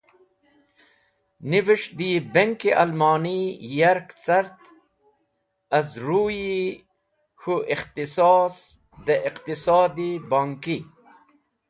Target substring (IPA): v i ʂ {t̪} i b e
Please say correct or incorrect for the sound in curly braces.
incorrect